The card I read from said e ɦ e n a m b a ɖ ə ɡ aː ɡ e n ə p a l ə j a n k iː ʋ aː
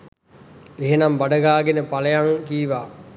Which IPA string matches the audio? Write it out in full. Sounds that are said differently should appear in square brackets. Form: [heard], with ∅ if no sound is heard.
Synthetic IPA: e ɦ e n a m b a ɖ ə ɡ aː ɡ e n ə p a l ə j a [ŋ] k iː ʋ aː

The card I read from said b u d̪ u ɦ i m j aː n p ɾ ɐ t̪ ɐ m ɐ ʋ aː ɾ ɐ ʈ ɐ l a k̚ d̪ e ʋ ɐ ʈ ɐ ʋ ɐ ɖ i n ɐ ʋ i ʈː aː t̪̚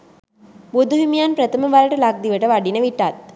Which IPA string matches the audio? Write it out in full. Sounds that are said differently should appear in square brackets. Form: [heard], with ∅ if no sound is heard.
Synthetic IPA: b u d̪ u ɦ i m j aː n p ɾ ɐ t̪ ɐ m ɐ ʋ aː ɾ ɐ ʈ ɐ l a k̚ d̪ [i] ʋ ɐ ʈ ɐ ʋ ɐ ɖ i n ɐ ʋ i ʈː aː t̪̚

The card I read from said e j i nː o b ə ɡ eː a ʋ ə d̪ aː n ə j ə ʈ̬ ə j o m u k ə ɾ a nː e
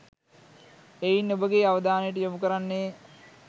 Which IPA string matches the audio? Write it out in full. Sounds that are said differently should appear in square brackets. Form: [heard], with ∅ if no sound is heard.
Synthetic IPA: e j i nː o b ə ɡ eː a ʋ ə d̪ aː n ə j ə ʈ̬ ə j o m u k ə ɾ a nː e

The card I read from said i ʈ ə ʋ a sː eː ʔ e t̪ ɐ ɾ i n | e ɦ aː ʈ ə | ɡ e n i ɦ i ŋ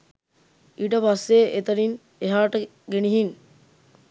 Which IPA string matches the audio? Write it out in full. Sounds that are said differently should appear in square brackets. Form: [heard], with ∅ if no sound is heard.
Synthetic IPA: i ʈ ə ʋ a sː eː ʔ e t̪ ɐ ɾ i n | e ɦ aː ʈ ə | ɡ e n i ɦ i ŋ

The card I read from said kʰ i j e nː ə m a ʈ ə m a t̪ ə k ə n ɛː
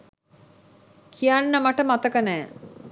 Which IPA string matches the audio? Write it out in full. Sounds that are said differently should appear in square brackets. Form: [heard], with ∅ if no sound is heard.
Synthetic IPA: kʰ i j [a] nː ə m a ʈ ə m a t̪ ə k ə n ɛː

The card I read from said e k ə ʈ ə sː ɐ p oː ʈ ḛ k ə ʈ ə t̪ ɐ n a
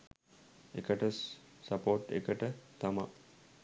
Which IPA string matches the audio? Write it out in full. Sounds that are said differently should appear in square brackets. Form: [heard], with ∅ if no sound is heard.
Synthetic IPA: e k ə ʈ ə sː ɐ p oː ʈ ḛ k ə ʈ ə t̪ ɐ [m] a

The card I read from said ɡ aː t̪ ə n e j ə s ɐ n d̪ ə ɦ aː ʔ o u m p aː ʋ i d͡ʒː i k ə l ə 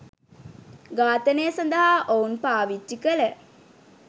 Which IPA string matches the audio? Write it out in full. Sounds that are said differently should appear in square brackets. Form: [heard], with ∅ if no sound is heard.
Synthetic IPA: ɡ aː t̪ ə n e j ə s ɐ n d̪ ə ɦ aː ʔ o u [n] p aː ʋ i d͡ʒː i k ə l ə

